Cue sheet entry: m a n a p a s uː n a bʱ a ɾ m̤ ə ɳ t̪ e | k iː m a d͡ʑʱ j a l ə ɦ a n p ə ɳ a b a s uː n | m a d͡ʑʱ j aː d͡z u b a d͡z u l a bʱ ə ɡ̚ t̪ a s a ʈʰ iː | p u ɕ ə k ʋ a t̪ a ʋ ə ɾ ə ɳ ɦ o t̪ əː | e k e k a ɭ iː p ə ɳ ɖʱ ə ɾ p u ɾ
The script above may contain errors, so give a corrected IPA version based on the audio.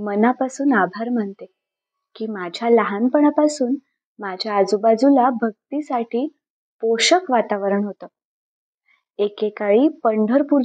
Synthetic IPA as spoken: m ə n a p a s uː n a bʱ a ɾ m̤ ə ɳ t̪ e | k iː m a d͡ʑʱ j a l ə ɦ a n p ə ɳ a p a s uː n | m a d͡ʑʱ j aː d͡z u b a d͡z u l a bʱ ə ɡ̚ t̪ i s a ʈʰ iː | p o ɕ ə k ʋ a t̪ a ʋ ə ɾ ə ɳ ɦ o t̪ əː | e k e k a ɭ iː p ə ɳ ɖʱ ə ɾ p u ɾ